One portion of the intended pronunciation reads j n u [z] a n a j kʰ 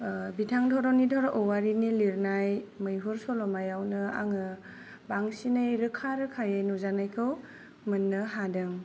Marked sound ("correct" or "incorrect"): correct